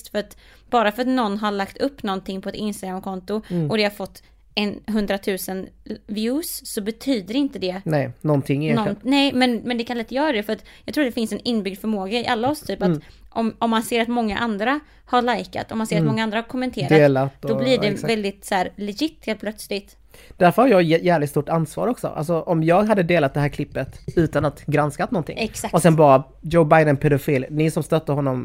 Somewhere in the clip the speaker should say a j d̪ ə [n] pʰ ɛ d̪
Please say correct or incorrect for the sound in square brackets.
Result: correct